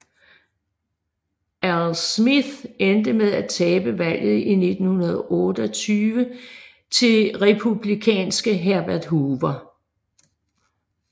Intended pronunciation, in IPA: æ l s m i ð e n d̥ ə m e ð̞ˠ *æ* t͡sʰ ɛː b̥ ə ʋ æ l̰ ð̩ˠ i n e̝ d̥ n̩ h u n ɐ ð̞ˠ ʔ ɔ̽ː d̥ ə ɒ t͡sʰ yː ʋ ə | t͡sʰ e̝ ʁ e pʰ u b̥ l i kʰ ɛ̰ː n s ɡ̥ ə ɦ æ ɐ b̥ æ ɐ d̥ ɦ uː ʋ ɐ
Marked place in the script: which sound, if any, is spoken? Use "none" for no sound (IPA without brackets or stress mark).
æ